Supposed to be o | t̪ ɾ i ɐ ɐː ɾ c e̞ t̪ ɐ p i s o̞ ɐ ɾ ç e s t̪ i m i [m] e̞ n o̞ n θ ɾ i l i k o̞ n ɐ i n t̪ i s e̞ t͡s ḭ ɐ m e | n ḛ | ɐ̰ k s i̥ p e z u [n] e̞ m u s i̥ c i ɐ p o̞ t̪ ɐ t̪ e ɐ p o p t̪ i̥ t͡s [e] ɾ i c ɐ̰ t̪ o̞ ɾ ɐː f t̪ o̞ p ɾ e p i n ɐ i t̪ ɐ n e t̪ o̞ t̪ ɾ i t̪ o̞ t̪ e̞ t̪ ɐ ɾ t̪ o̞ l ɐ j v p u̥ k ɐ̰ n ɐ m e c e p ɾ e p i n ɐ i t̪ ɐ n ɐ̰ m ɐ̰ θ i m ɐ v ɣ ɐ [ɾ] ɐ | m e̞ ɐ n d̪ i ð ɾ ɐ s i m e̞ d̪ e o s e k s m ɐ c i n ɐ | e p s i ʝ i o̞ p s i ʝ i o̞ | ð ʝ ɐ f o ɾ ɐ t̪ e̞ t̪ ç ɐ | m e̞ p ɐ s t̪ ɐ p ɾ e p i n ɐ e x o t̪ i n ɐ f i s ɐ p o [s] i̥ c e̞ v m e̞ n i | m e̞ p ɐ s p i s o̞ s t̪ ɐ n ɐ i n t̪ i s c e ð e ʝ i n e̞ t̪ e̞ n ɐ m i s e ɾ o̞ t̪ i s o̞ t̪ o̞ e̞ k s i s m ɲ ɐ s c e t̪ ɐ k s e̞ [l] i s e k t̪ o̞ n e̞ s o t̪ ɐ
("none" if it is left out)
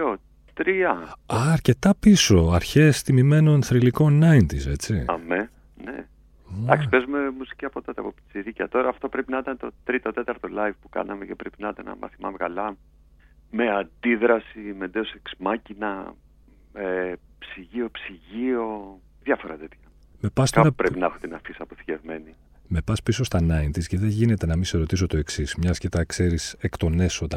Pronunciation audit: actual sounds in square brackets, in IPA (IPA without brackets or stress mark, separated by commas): m, m, i, l, θ, ɾ